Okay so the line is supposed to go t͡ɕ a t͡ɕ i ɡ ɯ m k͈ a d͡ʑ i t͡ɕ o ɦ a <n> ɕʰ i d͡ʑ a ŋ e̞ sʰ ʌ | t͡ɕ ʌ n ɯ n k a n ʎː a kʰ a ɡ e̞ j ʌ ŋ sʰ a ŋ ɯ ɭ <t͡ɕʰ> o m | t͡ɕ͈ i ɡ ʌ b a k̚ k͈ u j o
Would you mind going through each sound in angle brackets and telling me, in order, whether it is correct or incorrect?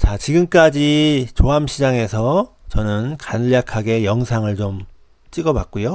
incorrect, incorrect

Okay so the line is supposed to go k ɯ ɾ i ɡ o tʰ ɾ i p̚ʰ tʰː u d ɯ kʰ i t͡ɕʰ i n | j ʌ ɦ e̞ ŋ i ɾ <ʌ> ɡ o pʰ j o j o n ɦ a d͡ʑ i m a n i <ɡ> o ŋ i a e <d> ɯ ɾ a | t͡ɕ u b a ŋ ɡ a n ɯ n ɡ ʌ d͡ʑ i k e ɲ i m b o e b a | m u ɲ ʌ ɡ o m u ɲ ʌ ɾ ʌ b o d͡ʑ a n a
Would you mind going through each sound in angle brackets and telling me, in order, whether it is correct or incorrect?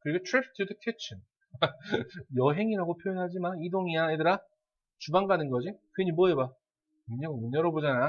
incorrect, incorrect, correct

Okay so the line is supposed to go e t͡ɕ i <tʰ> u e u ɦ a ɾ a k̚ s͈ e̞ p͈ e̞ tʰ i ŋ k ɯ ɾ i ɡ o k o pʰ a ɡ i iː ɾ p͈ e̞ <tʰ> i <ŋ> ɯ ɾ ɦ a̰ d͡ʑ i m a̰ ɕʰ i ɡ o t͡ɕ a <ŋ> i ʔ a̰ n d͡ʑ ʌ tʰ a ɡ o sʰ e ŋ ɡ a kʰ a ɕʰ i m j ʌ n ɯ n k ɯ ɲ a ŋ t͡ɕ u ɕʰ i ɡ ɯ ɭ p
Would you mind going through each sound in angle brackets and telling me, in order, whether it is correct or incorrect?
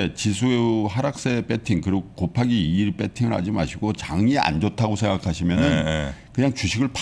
incorrect, correct, correct, correct

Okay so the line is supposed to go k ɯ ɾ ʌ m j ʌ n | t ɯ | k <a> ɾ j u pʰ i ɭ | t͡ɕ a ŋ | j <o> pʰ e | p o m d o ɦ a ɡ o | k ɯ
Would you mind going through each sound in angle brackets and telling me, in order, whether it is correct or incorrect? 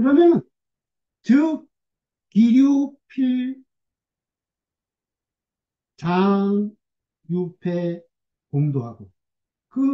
incorrect, incorrect

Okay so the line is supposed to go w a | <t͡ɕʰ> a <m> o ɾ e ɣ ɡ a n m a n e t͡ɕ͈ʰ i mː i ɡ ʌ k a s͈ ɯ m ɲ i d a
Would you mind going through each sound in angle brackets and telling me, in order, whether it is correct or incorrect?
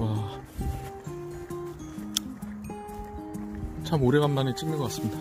correct, correct

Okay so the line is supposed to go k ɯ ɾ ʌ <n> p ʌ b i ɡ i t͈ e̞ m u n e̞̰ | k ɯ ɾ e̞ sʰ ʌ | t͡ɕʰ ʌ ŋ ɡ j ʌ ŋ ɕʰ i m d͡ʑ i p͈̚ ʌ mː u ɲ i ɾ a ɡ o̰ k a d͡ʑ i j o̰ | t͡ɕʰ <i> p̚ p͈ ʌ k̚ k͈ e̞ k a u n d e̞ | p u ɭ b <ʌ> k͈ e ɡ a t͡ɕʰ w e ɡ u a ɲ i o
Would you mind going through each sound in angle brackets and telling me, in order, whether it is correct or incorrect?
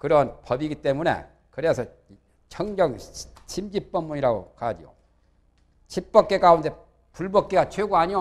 correct, correct, correct

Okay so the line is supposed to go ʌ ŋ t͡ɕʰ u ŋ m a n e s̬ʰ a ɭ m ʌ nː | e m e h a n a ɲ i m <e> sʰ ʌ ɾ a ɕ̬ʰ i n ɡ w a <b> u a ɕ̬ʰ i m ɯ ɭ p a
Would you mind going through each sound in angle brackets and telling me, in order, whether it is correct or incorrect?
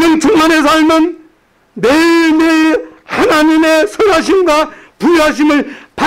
correct, incorrect

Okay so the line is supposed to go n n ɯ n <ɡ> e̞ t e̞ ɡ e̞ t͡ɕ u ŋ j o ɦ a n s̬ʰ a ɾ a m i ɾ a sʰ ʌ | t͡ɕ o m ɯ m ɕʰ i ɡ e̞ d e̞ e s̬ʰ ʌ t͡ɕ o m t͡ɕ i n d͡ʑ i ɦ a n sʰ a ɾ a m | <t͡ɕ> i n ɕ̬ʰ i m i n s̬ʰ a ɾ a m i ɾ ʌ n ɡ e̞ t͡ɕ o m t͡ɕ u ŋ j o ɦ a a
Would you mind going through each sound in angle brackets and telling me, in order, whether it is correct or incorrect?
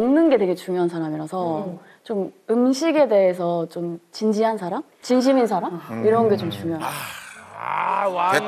correct, correct

